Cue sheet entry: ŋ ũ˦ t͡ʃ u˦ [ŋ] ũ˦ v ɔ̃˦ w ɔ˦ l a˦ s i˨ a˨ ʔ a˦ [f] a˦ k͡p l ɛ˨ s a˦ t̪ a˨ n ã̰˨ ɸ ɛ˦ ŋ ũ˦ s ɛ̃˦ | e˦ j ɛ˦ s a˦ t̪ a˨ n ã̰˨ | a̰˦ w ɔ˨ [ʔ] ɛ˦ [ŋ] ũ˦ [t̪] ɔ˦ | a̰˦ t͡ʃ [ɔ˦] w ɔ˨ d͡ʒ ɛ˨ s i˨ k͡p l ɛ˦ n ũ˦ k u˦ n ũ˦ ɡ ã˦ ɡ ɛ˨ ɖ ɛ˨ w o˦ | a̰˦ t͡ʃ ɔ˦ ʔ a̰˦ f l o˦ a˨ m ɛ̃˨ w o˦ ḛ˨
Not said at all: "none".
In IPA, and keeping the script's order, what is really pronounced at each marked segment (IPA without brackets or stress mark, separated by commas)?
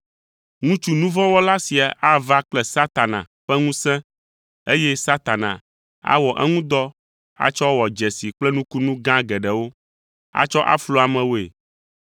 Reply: n, v, ʔ, ŋ, d̪, ɔ˦